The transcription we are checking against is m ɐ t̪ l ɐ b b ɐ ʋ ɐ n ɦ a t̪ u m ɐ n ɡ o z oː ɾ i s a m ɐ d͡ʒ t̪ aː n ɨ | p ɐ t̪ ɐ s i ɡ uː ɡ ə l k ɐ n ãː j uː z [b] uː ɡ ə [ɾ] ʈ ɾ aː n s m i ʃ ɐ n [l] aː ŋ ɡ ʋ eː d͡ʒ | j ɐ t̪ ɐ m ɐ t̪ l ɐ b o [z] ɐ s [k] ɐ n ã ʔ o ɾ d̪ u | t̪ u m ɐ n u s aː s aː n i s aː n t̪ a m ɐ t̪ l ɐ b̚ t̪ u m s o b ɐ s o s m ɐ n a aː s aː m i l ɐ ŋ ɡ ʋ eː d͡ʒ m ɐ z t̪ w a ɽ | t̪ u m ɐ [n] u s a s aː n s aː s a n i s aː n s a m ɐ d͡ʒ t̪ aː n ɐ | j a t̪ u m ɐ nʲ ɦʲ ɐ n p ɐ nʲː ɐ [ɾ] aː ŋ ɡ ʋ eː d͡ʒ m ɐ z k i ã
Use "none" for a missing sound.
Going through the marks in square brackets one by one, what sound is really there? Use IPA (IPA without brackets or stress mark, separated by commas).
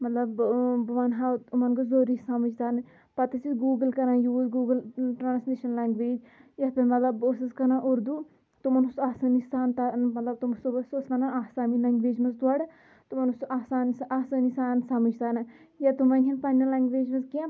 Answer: ɡ, l, l, s, k, n, l